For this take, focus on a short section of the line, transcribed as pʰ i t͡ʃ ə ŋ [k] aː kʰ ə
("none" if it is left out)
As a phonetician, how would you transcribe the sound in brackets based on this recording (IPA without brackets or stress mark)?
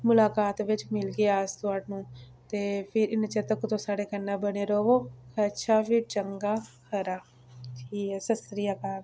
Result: ɡ